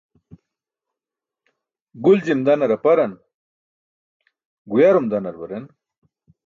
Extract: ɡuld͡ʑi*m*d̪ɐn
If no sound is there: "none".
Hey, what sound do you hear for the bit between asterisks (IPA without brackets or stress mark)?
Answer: m